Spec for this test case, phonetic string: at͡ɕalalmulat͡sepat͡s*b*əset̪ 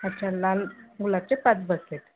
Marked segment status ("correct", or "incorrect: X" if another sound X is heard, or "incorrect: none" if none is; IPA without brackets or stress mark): correct